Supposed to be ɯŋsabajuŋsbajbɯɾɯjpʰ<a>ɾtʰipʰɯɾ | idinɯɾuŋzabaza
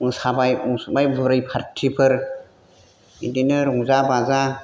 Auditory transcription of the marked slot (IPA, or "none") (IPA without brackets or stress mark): a